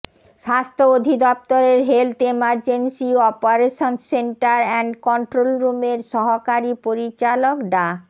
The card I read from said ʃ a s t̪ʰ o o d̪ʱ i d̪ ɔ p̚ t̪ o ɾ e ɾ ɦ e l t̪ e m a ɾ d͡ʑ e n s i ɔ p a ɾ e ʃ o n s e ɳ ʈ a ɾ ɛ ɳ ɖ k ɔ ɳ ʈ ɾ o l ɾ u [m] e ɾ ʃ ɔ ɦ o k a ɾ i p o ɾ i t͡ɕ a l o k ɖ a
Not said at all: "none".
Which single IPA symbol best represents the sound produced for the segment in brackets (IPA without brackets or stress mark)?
m